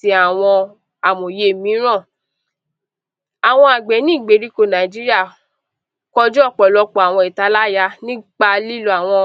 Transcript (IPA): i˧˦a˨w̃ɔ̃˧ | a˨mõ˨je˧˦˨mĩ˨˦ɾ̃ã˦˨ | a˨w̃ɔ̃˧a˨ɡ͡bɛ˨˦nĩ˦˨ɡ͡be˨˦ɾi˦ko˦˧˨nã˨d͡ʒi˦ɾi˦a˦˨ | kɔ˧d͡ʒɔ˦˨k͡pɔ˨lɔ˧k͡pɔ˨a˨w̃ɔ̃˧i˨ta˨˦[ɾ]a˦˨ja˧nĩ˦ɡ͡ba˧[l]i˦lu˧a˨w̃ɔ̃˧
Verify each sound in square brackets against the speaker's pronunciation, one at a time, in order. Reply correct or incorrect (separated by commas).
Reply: incorrect, correct